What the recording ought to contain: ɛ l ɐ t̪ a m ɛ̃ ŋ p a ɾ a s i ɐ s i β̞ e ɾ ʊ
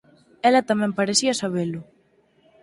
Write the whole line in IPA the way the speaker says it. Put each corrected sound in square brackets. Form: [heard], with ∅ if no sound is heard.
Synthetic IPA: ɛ l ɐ t̪ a m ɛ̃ [m] p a ɾ [e] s i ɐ s [a] β̞ e [l] ʊ